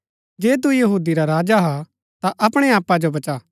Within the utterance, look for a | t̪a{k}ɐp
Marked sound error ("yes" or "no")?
yes